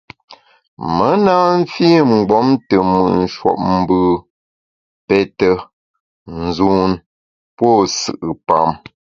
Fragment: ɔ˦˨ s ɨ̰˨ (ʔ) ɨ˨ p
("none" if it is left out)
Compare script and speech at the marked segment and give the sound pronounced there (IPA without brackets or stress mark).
ʔ